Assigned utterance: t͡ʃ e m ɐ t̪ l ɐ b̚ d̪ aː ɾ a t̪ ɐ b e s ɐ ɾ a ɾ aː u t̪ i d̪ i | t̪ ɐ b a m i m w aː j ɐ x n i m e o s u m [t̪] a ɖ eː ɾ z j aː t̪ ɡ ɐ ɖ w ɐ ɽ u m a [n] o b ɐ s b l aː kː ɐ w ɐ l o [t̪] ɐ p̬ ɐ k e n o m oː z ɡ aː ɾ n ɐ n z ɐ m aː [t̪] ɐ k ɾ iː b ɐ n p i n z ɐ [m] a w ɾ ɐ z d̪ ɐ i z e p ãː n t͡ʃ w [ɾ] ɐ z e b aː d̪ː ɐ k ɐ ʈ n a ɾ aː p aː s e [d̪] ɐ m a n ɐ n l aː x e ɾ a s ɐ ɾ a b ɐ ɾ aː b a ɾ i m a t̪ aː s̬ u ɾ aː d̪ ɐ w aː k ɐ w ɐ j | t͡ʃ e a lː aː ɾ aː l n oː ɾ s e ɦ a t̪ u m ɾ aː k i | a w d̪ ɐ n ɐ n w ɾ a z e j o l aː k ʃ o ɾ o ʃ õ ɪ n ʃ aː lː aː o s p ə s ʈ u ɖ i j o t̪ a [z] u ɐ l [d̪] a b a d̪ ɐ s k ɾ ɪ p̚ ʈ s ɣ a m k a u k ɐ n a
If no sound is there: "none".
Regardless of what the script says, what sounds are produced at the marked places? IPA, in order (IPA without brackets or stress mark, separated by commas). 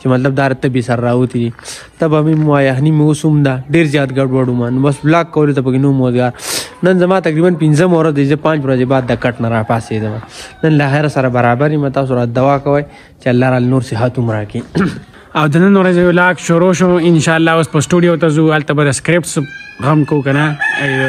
d̪, n, t̪, t̪, m, ɾ, d̪, z, t̪